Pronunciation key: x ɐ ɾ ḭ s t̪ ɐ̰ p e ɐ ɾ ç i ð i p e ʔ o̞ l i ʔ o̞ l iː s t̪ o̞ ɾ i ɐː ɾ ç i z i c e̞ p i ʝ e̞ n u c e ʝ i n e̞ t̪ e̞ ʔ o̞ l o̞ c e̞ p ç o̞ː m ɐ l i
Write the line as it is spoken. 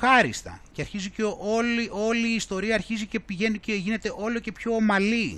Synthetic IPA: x ɐ ɾ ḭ s t̪ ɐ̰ c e ɐ ɾ ç i z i c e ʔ o̞ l i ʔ o̞ l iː s t̪ o̞ ɾ i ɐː ɾ ç i z i c e̞ p i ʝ e̞ n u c e ʝ i n e̞ t̪ e̞ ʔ o̞ l o̞ c e̞ p ç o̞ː m ɐ l i